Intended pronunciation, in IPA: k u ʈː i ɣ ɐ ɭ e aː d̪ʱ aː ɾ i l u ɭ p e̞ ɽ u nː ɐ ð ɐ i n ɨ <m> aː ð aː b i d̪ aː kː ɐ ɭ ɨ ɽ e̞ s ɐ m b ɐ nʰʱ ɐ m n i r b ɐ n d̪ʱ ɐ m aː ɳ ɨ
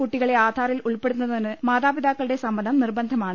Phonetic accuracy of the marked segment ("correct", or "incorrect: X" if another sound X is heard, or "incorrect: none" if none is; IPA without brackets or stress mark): correct